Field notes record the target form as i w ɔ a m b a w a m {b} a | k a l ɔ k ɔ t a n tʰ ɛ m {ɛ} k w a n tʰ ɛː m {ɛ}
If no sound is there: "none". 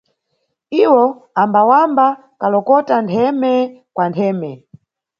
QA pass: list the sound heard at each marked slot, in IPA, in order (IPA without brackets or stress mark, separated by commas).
b, ɛ, ɛ